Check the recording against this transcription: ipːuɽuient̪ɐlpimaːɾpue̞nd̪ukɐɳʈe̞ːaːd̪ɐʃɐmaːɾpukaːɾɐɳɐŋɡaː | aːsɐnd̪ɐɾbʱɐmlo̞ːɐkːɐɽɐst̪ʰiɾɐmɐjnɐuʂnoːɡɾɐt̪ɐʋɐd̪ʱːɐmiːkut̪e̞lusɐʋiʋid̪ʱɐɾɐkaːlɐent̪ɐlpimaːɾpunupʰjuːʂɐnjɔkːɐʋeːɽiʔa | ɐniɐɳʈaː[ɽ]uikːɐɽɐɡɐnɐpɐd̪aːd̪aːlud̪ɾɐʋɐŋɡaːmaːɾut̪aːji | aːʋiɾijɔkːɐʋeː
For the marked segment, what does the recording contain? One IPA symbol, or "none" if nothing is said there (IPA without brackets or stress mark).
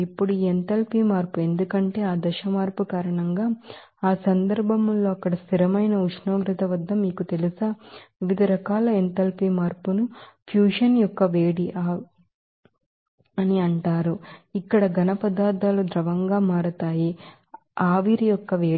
ɾ